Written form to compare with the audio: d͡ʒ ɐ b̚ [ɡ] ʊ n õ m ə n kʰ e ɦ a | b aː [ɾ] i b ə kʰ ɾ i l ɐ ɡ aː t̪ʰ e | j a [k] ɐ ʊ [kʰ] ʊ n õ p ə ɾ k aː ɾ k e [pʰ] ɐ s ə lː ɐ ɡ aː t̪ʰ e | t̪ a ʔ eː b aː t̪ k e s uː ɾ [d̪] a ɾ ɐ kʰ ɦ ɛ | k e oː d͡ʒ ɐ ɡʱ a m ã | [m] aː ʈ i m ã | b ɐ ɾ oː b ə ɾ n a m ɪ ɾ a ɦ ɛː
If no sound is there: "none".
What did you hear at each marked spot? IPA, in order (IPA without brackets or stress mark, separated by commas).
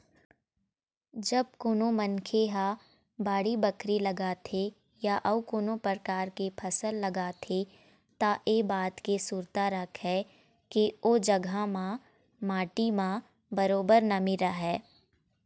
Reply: k, ɽ, ʔ, k, pʰ, t̪, m